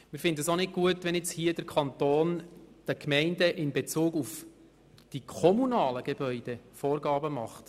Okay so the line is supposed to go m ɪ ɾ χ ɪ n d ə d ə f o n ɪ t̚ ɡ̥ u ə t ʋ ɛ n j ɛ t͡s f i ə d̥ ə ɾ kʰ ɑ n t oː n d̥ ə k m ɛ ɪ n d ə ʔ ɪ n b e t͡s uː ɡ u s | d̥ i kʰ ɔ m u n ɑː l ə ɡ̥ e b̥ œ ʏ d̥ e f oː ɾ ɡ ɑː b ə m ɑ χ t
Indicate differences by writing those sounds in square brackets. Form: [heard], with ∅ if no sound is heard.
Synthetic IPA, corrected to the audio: m ɪ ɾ [f] ɪ n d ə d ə [s] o n ɪ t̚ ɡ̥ u ə t ʋ ɛ n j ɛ t͡s [h] i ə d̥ ə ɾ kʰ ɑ n t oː n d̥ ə k m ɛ ɪ n d ə ʔ ɪ n b e t͡s uː ɡ u [f] | d̥ i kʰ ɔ m u n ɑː l ə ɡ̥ e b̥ œ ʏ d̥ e f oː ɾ ɡ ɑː b ə m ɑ χ t